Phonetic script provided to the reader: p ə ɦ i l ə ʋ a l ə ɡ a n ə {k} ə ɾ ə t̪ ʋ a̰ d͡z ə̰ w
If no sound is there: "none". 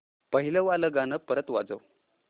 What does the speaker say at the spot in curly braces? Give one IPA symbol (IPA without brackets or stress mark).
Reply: p